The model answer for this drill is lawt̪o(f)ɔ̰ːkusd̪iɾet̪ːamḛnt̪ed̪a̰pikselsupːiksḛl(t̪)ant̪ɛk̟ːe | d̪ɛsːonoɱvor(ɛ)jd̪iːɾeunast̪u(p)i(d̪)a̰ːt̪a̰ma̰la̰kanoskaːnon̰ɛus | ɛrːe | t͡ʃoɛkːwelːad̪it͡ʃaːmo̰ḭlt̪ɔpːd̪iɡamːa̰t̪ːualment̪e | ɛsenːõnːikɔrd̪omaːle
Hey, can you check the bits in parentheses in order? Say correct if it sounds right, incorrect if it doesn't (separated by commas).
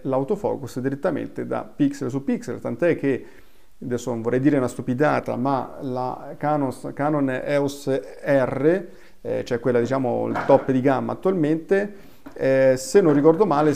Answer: correct, correct, correct, correct, correct